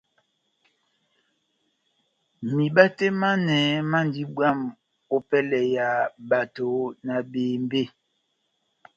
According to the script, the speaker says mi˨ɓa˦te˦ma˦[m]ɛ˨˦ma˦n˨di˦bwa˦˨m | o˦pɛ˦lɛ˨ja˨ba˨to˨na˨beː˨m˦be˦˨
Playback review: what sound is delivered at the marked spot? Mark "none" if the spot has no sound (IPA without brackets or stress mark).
n